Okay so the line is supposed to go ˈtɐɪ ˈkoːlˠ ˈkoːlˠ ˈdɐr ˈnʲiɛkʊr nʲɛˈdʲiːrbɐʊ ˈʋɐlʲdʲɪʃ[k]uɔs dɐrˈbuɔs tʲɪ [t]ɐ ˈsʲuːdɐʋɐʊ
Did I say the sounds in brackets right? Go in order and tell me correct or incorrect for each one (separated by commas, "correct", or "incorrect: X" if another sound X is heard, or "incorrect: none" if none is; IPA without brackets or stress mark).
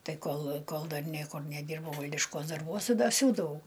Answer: correct, incorrect: d